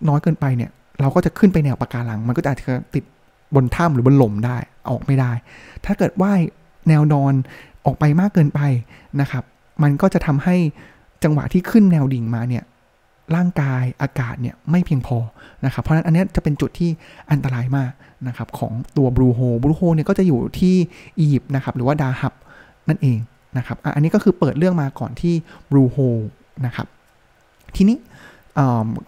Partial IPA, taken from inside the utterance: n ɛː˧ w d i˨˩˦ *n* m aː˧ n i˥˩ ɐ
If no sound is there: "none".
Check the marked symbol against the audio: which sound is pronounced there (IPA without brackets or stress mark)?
ŋ